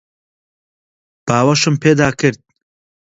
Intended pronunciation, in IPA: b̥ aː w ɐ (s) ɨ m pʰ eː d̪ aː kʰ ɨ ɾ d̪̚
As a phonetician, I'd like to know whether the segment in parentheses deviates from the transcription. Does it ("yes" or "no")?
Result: yes